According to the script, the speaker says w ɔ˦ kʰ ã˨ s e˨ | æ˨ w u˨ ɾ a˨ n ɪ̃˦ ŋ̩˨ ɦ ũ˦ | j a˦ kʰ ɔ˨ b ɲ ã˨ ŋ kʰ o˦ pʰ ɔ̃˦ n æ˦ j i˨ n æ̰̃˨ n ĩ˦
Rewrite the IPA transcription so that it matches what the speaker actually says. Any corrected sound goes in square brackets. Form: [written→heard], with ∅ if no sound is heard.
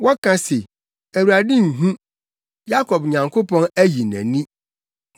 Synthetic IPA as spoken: w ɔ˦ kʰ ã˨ s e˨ | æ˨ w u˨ ɾ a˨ [n→d] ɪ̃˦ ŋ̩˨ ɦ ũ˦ | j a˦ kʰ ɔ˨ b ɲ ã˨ ŋ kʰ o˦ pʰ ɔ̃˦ n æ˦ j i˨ n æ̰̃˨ n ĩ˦

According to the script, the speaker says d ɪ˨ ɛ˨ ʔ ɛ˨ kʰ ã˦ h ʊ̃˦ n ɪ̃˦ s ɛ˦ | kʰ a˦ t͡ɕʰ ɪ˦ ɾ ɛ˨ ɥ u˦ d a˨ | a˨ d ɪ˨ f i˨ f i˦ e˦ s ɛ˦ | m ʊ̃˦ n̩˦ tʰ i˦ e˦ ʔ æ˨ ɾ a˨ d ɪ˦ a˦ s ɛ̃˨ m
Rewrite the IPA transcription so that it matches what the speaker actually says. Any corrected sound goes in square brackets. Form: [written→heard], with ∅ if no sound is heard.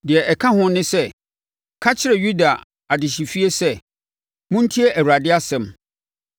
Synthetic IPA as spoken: d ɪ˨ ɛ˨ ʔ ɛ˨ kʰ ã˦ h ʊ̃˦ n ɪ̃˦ s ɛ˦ | kʰ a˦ t͡ɕʰ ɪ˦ ɾ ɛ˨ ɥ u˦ d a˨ | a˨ d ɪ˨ [f→ɕ] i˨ f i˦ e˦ s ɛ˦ | m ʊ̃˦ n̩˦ tʰ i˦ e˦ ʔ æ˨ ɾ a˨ d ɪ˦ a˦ s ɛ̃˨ m

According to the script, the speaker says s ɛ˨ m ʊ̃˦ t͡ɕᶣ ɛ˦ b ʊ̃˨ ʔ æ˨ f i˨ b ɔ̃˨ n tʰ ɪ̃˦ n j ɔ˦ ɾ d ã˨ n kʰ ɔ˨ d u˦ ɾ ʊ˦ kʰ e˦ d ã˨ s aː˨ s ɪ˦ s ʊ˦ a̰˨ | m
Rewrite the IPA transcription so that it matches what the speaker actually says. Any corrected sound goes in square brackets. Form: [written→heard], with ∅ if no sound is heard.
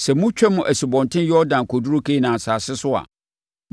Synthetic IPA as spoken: s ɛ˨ m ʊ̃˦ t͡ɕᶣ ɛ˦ [b→m] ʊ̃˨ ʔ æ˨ [f→s] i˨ b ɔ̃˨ n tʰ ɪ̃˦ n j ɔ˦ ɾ d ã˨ n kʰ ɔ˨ d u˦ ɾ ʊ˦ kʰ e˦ [d→n] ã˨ s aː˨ s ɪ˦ s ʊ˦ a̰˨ | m

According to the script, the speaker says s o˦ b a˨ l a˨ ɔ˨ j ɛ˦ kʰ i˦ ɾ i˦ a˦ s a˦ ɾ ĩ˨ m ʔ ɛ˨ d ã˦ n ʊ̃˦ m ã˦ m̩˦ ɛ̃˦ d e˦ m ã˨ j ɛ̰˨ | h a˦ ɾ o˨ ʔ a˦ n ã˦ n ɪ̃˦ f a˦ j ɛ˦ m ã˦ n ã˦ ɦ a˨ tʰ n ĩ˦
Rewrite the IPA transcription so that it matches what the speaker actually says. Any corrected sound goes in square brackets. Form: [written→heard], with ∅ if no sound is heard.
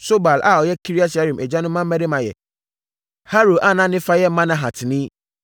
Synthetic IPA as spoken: s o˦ b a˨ l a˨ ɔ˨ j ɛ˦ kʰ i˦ ɾ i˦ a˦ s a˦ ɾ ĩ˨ m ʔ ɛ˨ [d→d͡ʑ] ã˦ n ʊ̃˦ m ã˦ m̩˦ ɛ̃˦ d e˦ m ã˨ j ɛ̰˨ | h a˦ ɾ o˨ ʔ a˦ n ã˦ n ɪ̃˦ f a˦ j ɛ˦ m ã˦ n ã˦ ɦ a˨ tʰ n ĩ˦

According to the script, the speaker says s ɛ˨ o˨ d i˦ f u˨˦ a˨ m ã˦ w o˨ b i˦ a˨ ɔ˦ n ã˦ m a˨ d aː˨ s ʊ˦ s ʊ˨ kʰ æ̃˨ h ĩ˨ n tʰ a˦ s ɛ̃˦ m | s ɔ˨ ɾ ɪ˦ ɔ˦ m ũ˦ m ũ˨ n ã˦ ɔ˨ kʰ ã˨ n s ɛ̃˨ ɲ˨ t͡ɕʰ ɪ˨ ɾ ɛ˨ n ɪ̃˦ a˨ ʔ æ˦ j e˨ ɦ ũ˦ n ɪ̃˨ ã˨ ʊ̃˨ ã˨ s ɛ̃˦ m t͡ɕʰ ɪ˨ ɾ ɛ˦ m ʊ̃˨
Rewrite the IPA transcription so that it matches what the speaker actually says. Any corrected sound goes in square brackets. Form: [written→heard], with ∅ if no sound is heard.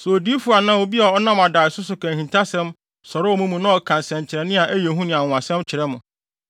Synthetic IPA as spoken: s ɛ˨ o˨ d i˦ f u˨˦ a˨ [m→n] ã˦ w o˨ b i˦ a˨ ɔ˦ n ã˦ m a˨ d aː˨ s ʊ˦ s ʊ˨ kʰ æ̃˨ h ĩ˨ n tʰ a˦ s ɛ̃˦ m | s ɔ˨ ɾ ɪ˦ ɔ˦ m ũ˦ m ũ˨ n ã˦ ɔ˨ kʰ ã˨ n s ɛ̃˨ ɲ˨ t͡ɕʰ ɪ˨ ɾ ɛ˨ n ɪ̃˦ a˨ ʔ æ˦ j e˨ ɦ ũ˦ n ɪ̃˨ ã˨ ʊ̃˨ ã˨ s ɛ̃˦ m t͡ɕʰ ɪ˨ ɾ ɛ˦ m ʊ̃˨

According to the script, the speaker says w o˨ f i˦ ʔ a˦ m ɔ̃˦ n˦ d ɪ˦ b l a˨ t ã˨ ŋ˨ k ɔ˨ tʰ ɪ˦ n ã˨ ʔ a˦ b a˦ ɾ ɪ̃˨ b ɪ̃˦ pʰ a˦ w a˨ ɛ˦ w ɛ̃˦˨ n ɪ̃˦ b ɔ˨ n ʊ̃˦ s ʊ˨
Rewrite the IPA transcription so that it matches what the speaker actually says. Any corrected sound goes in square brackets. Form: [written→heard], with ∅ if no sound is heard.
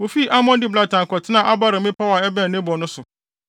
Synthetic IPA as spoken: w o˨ f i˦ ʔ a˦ m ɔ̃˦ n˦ d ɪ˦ b l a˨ t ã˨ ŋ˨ k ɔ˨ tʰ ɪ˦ n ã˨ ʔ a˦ b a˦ ɾ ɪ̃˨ [b→m] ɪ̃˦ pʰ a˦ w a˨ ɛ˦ [w→b] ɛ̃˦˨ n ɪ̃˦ b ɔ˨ n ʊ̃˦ s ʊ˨

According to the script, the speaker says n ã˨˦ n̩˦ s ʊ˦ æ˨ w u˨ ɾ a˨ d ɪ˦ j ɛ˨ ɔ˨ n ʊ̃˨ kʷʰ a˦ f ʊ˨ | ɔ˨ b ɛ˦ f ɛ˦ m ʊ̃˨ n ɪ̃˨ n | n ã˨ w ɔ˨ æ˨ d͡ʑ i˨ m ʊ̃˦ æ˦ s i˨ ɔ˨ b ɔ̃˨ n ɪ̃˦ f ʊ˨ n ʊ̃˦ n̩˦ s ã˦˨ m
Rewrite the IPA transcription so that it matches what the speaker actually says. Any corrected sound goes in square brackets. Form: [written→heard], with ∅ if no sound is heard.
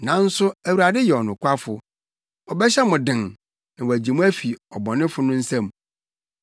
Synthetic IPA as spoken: n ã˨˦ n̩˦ s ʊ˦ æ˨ w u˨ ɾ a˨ d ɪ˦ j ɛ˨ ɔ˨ n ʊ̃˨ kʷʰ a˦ f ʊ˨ | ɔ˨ b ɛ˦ [f→ɕ] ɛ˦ m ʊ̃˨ [n→d] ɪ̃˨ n | n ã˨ w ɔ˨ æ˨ d͡ʑ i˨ m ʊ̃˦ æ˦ [s→f] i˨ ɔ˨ b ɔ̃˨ n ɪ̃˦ f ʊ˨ n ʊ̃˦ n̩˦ s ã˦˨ m

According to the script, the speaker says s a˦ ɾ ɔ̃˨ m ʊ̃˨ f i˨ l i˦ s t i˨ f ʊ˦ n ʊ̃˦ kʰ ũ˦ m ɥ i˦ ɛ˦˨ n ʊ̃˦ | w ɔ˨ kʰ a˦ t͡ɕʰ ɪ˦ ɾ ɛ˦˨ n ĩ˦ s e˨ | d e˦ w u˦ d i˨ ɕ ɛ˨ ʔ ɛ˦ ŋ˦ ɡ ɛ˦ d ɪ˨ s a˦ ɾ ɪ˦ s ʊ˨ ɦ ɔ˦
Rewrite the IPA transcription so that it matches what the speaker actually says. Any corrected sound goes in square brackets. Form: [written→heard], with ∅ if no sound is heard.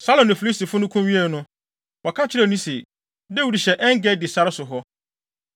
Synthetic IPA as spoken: s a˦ [ɾ→l] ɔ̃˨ [m→n] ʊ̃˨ f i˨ l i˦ s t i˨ f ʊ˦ n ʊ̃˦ kʰ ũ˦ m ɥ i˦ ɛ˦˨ n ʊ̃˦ | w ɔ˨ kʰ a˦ t͡ɕʰ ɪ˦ ɾ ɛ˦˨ n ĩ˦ s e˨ | d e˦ w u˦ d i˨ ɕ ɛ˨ ʔ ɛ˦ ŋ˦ ɡ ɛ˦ d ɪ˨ s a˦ ɾ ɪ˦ s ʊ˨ ɦ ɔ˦

